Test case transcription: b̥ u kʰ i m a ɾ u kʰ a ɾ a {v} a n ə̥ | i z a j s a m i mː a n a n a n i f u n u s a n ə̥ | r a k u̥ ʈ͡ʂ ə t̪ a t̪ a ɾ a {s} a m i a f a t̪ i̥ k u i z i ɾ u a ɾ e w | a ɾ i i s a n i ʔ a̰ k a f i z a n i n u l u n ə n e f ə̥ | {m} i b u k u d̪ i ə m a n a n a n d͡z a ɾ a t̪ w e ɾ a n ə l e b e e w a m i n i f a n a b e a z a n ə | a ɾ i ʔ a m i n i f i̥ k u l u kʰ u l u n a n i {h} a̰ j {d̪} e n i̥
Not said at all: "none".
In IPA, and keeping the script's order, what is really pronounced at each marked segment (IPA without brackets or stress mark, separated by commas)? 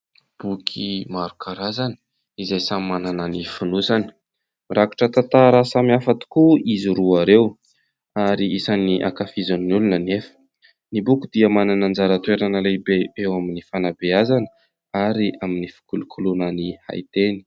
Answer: z, s, n, h, t̪